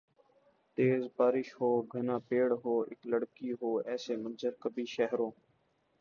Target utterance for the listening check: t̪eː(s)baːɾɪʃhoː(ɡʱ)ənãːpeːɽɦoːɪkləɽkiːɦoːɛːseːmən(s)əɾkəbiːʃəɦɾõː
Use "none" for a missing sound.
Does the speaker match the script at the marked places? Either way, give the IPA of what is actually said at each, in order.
z, ɡʱ, z

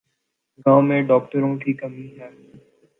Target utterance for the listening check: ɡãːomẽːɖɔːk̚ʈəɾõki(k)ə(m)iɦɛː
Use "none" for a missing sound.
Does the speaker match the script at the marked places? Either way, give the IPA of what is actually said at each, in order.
k, m

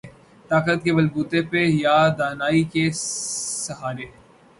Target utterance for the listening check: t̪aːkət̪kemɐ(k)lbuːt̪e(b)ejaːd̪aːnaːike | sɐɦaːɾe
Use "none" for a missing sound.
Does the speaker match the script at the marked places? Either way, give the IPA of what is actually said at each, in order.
none, p

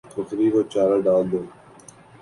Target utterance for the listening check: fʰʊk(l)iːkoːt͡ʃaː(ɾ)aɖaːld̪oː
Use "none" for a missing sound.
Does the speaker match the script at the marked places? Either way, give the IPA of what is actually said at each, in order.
ɾ, ɾ

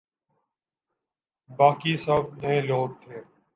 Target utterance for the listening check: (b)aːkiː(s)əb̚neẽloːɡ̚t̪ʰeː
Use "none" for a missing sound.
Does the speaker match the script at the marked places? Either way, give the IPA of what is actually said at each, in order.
b, s

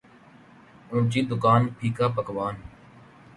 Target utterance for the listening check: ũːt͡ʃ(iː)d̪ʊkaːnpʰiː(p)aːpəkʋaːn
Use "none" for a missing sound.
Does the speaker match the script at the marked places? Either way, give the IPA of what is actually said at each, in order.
iː, k

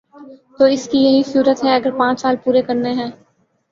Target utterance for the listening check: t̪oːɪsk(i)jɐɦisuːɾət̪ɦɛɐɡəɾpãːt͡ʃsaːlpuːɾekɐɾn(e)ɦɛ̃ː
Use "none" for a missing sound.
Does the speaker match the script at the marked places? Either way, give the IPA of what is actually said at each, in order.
i, e

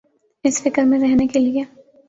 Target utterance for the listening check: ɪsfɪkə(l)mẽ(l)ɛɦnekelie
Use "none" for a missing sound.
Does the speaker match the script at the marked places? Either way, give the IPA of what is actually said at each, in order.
ɾ, ɾ

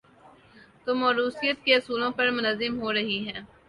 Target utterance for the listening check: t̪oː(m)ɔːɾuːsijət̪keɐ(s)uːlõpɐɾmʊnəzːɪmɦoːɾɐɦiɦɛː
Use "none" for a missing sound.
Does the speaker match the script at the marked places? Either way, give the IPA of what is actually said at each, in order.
m, s

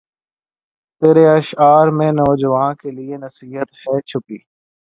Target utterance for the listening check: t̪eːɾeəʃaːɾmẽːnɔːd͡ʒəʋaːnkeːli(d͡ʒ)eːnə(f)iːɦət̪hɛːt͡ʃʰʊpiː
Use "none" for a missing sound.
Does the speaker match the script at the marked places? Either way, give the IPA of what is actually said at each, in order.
none, s

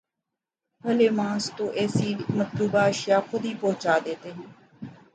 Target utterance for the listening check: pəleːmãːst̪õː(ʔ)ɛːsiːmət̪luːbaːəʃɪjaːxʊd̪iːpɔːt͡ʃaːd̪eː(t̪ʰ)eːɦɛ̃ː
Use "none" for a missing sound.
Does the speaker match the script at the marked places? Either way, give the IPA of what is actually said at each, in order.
ʔ, t̪

